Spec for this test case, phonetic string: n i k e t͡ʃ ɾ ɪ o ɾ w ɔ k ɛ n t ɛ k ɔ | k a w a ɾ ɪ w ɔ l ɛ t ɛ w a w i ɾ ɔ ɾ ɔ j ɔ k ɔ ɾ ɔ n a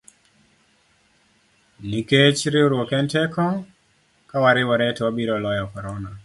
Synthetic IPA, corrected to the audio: n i k e t͡ʃ ɾ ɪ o ɾ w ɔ k ɛ n t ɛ k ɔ | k a w a ɾ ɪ w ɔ ɾ ɛ t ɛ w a b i ɾ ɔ l ɔ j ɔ k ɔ ɾ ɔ n a